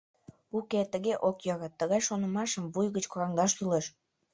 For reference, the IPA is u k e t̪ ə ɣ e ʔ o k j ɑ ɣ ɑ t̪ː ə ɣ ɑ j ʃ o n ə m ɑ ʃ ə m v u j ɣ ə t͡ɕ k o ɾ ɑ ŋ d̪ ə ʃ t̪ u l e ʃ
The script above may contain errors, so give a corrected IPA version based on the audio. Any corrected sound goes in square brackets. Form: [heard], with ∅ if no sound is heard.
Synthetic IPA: u k e t̪ ə ɣ e ʔ o k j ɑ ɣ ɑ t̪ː ə ɣ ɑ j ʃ o n ə m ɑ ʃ ə m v u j ɣ ə t͡ɕ k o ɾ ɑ ŋ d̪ [ɑ] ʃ t̪ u l e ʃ